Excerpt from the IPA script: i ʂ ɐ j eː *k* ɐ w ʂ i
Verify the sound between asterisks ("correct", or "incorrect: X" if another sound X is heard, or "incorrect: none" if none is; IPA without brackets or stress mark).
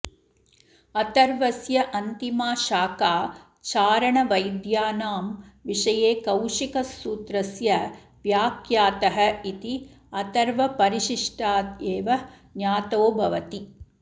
correct